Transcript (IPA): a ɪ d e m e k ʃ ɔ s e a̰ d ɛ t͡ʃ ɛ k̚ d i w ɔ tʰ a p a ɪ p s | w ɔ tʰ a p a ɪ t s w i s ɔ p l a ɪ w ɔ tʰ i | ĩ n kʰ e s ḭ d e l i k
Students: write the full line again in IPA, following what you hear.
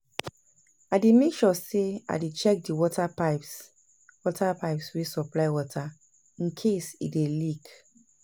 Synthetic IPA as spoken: a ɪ d e m e k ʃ ɔ s e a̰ d e t͡ʃ ɛ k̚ d i w ɔ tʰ a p a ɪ p s | w ɔ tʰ a p a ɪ p s w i s ɔ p l a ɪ w ɔ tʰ a | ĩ n kʰ e s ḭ d e l i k